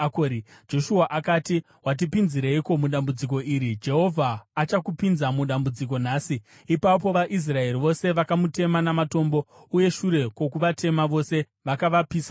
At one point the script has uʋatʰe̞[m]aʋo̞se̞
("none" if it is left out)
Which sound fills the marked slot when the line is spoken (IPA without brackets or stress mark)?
m